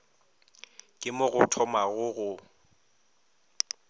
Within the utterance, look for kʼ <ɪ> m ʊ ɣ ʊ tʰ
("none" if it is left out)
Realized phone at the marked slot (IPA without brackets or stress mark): ɪ